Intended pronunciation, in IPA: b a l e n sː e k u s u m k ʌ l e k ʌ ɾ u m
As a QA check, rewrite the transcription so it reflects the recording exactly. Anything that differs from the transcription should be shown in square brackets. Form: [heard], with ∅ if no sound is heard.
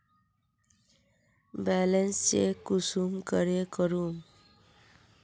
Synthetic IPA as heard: b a l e n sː e k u s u m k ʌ [ɾ] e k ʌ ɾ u m